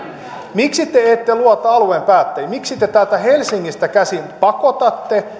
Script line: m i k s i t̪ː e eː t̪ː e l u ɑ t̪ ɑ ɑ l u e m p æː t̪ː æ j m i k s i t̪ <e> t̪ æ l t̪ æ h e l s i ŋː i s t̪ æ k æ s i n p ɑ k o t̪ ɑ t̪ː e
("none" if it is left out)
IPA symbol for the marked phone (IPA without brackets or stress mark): e